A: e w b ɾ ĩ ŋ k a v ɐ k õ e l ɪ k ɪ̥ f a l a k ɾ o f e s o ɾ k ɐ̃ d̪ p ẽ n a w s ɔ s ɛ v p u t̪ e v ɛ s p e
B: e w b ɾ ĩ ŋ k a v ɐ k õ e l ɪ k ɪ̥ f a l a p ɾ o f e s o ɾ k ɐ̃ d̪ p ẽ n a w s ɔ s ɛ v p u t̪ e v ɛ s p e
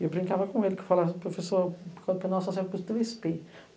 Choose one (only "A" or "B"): B